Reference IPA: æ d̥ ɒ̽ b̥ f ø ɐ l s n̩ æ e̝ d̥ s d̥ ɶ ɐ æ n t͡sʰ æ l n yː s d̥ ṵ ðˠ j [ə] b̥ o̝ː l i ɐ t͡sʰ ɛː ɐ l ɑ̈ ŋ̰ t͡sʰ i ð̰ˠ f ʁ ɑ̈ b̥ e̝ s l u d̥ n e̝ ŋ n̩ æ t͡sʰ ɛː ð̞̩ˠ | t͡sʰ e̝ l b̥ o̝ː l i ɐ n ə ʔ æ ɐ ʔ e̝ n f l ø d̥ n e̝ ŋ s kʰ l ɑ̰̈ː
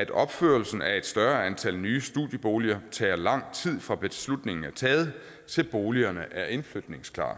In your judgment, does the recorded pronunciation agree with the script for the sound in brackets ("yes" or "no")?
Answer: yes